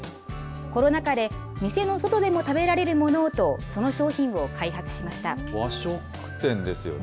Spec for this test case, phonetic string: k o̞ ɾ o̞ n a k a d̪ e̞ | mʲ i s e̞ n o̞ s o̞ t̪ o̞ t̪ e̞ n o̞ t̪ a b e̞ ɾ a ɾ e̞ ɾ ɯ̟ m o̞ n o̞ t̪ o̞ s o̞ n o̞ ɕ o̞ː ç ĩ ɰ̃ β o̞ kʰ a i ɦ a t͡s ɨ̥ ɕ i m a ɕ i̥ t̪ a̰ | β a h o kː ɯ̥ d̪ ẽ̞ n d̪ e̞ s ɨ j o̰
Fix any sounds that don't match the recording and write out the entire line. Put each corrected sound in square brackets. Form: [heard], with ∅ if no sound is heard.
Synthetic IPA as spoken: k o̞ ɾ o̞ n a k a d̪ e̞ | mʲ i s e̞ n o̞ s o̞ t̪ o̞ [d̪] e̞ [m] o̞ t̪ a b e̞ ɾ a ɾ e̞ ɾ ɯ̟ m o̞ n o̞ t̪ o̞ s o̞ n o̞ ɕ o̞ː ç ĩ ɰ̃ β o̞ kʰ a i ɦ a t͡s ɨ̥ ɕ i m a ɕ i̥ t̪ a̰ | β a [ɕ] o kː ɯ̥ [t̪] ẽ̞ n d̪ e̞ s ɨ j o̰